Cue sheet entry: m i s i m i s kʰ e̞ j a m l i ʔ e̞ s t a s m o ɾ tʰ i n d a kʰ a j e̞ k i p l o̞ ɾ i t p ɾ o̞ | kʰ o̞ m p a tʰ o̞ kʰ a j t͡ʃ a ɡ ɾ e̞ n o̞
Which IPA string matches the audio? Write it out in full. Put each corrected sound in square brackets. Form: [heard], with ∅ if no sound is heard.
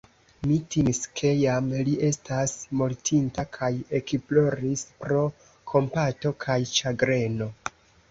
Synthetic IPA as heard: m i [t] i m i s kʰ e̞ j a m l i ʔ e̞ s t a s m o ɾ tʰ i n [t] a kʰ a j e̞ k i p l o̞ ɾ i [s] p ɾ o̞ | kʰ o̞ m p a [t] o̞ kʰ a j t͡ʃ a ɡ ɾ e̞ n o̞